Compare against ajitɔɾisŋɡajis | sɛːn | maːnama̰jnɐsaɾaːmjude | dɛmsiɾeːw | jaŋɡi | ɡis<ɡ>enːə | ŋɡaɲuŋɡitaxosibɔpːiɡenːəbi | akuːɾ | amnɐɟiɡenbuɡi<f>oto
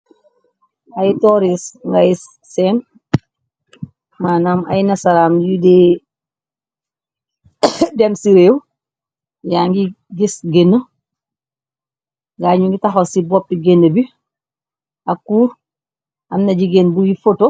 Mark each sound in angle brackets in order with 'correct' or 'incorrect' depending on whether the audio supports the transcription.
correct, correct

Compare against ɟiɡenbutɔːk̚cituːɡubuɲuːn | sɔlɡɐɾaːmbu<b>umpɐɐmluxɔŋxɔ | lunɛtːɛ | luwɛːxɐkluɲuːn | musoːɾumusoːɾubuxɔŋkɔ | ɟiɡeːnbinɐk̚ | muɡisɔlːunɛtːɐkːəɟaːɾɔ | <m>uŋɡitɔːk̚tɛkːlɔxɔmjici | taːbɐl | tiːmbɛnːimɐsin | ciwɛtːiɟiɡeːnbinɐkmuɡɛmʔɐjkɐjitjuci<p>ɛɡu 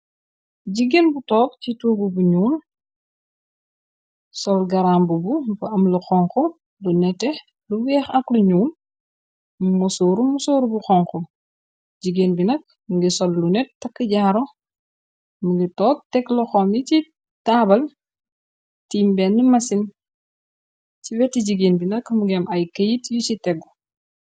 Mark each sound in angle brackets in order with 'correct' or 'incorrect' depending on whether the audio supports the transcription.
correct, correct, incorrect

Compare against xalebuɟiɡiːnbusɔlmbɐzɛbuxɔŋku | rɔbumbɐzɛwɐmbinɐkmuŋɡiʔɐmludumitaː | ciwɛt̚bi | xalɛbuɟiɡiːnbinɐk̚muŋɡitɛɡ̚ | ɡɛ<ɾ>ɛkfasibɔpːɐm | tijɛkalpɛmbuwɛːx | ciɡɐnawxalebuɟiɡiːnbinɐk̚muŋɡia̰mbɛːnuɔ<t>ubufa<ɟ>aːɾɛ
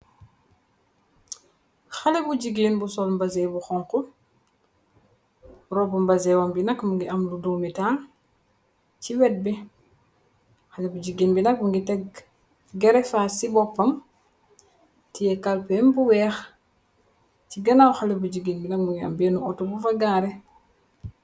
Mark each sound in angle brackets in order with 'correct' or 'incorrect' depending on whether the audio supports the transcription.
correct, correct, incorrect

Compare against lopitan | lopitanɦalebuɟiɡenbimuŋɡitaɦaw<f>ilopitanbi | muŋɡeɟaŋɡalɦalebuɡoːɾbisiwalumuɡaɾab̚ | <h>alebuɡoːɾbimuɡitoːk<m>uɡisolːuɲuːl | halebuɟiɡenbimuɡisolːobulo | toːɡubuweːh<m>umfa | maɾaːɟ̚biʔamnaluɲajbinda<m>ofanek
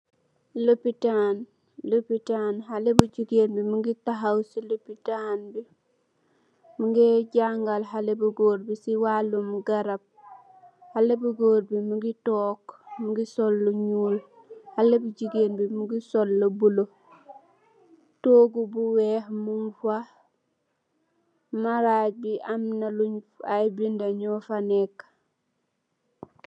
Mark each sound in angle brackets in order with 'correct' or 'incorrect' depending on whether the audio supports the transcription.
incorrect, correct, correct, correct, incorrect

